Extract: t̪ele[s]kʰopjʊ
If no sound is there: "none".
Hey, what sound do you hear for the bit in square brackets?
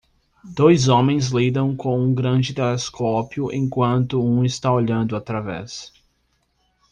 s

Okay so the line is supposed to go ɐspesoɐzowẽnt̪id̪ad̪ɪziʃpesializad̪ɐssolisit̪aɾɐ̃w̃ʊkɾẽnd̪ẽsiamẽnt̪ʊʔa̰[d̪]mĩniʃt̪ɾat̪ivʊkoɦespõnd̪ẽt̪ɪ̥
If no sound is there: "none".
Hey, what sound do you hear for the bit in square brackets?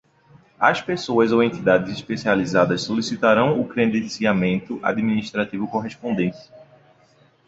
d̪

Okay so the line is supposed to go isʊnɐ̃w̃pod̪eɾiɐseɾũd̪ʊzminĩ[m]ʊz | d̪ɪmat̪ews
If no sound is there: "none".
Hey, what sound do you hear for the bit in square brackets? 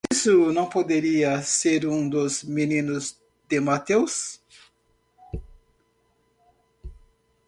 n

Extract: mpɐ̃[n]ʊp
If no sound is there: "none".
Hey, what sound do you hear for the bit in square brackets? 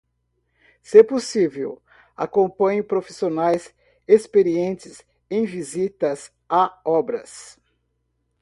ɲ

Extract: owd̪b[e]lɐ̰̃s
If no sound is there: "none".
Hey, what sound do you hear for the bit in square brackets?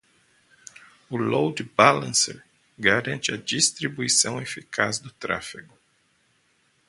a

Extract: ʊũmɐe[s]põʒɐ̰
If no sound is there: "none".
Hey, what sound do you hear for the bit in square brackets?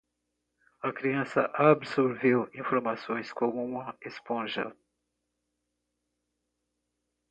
s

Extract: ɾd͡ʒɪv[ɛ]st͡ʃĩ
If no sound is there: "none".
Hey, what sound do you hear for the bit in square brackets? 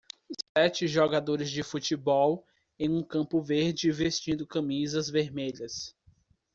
e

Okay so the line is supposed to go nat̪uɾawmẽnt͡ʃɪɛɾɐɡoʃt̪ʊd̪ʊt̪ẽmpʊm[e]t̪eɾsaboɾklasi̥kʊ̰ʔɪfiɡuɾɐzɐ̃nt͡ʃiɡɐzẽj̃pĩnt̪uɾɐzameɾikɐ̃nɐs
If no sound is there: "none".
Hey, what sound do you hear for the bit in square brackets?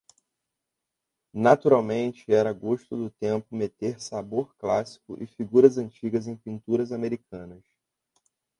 e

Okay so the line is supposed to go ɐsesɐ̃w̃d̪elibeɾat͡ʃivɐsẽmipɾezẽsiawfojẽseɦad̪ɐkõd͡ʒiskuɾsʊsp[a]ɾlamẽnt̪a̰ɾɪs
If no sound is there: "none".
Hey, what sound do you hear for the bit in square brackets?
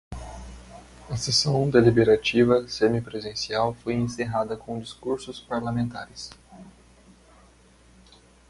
a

